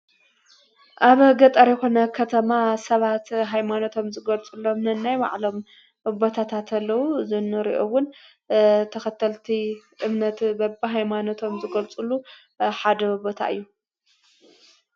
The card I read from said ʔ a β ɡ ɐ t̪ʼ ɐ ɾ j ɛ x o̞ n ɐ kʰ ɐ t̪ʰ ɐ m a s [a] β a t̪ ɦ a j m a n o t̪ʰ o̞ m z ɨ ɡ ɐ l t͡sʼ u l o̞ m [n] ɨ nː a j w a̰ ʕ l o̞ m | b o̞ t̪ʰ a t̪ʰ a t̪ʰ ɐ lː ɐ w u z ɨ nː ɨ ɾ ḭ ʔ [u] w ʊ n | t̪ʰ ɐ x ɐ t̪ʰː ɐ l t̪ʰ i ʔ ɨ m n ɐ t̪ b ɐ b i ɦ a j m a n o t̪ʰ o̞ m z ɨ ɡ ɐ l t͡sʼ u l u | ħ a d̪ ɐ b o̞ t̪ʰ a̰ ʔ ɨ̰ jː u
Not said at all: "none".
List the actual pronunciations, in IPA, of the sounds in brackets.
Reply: ɐ, n, o

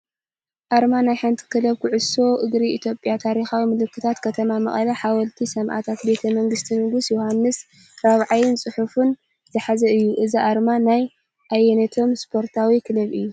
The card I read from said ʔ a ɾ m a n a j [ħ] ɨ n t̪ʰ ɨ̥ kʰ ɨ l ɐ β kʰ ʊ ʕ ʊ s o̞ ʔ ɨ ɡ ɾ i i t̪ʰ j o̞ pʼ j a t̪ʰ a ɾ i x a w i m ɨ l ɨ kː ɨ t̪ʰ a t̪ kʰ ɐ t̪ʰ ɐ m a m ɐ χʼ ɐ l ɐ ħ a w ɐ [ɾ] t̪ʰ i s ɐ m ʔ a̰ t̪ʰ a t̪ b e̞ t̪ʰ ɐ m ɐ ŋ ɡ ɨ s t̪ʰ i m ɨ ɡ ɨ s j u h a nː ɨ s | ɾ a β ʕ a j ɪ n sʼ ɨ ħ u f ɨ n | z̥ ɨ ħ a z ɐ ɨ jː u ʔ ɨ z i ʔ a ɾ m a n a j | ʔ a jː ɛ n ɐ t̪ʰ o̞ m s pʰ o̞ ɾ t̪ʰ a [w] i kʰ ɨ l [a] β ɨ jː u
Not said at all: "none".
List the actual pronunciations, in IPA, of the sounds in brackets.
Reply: ħ, l, w, ɐ

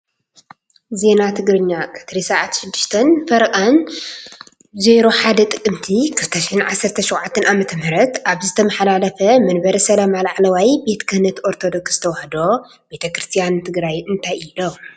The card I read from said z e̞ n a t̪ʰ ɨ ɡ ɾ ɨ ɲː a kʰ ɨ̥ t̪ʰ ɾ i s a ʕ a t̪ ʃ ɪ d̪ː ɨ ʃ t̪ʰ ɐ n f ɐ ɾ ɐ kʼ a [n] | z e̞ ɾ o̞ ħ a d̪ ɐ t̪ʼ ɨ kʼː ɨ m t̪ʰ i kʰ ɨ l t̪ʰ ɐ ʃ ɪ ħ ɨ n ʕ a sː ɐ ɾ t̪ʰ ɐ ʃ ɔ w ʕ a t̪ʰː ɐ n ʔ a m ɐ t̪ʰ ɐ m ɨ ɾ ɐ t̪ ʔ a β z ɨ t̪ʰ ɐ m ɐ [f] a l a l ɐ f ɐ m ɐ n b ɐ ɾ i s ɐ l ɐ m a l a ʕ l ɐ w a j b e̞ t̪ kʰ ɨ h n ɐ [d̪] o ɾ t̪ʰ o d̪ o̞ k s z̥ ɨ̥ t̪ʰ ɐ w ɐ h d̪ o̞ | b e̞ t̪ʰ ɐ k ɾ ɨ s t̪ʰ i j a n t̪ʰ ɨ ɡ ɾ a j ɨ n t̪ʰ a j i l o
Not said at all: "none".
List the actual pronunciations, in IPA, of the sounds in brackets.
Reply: n, ħ, t̪

